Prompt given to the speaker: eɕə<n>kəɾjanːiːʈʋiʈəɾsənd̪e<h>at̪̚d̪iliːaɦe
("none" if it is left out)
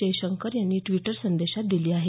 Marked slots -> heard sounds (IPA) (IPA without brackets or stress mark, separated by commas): ŋ, ɕ